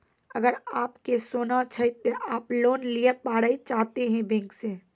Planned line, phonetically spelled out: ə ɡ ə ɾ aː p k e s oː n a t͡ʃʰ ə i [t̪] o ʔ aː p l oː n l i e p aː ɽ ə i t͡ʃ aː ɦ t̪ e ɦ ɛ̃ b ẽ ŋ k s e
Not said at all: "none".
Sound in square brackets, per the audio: t̪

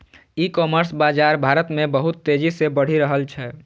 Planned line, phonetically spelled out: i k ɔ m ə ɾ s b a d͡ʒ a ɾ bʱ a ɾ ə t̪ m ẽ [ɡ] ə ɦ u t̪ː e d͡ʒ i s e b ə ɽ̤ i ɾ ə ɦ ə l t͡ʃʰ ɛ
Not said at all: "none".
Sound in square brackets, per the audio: b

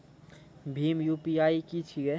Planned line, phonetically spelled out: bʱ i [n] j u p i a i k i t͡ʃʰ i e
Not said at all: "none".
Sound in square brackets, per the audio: m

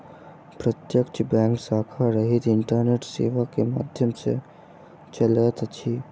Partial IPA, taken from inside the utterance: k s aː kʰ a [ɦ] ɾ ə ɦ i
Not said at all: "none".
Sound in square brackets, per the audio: none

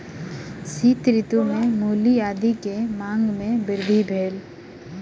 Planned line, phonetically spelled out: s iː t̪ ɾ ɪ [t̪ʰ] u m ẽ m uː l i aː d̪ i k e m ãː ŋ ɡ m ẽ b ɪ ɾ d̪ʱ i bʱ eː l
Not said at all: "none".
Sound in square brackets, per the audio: t̪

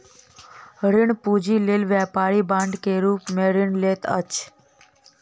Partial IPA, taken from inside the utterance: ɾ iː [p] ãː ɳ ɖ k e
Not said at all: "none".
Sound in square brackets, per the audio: b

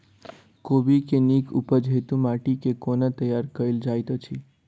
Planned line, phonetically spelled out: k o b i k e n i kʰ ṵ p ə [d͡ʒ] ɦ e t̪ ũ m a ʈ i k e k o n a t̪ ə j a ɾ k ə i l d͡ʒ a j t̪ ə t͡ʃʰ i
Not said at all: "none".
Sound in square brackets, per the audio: d͡ʒ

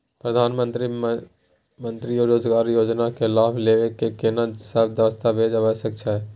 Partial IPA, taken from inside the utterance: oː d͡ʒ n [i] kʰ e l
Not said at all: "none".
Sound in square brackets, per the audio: a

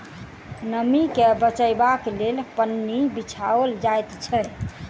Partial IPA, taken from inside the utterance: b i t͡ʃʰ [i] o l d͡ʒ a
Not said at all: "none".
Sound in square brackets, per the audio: a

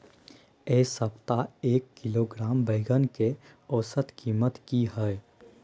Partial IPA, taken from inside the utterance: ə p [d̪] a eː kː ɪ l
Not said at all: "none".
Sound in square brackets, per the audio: t̪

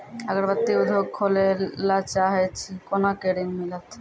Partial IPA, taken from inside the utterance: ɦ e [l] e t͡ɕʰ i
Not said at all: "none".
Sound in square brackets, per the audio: none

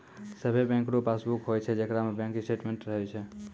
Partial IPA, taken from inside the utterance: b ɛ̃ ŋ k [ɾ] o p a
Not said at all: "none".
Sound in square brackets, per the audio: ɾ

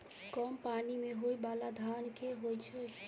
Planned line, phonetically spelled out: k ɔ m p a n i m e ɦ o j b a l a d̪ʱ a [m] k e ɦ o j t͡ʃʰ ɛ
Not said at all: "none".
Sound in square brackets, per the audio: n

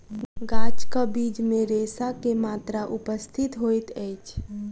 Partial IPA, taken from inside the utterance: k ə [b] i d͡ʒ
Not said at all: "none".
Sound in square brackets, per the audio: b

